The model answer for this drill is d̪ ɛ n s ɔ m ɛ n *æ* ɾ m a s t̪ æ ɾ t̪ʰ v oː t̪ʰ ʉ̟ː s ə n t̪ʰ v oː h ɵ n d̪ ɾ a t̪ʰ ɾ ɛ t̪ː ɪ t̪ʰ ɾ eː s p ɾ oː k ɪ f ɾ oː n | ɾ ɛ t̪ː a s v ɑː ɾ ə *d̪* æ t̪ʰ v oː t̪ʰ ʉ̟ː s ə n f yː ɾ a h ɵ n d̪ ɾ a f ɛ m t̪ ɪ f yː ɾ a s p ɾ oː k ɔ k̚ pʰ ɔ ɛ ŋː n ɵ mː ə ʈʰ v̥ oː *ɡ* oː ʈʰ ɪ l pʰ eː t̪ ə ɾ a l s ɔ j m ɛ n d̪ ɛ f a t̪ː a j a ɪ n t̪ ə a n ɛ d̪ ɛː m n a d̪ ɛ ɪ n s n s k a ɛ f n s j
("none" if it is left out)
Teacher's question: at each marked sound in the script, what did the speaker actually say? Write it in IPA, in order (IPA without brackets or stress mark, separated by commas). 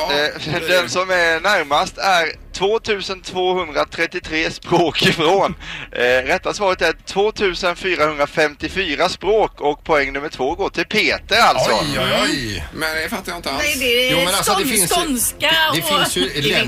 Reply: æ, t̪, ɡ